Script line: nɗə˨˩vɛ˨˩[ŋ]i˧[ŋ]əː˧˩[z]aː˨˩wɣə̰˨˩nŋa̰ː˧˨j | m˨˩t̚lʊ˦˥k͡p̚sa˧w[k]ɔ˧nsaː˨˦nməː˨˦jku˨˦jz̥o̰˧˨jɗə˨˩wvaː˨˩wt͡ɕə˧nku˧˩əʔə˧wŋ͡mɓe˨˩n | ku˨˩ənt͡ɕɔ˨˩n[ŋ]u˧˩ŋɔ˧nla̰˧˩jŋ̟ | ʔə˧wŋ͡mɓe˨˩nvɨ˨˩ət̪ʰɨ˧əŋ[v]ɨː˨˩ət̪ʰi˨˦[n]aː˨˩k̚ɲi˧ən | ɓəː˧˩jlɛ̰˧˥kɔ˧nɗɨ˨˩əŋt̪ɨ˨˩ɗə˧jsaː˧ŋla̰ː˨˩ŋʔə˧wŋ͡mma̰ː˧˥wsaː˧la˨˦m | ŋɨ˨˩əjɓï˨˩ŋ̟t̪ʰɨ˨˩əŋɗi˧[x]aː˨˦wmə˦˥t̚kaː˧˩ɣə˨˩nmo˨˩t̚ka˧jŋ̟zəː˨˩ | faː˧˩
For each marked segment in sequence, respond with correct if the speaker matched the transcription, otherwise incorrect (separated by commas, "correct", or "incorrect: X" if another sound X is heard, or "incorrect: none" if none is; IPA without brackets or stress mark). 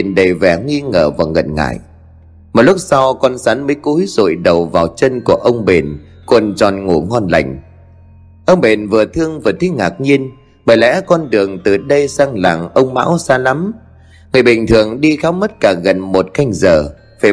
correct, correct, incorrect: v, correct, correct, correct, incorrect: ŋ, correct